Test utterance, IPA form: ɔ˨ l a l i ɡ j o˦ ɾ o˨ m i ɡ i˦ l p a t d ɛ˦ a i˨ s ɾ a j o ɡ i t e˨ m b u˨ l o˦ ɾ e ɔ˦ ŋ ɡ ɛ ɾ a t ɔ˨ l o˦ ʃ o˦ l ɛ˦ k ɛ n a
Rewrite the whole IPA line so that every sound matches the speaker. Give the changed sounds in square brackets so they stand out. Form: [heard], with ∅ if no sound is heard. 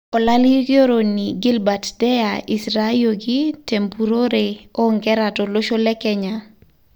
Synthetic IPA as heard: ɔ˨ l a l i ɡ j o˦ ɾ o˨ [n] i ɡ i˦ l [b] a t d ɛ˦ a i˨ s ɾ a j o ɡ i t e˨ m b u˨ [ɾ] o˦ ɾ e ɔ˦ ŋ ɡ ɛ ɾ a t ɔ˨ l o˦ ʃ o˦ l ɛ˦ k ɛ [ɲ] a